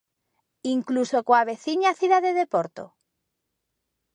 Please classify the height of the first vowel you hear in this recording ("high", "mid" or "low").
high